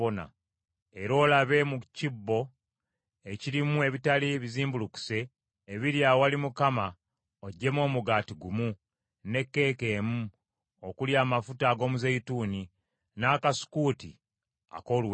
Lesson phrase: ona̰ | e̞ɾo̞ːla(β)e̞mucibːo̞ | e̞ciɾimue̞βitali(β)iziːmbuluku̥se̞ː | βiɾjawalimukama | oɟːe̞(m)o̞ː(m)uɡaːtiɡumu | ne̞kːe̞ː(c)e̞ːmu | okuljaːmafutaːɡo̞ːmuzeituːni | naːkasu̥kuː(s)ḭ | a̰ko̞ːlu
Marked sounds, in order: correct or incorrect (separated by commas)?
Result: correct, correct, correct, correct, incorrect, incorrect